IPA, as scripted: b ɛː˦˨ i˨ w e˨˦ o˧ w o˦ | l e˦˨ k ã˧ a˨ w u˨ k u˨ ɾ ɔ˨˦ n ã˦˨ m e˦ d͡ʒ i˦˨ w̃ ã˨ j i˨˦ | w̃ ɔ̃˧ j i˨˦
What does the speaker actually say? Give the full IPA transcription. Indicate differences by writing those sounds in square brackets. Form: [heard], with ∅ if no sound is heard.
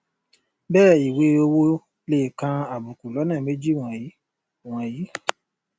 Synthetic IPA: b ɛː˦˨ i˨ w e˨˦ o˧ w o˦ | l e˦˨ k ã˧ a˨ [b] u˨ k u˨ [l] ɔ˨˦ n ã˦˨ m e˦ d͡ʒ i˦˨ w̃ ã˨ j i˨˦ | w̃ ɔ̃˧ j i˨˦